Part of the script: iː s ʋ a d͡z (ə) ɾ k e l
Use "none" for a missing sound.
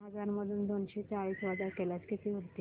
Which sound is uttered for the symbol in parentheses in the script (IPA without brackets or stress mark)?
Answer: a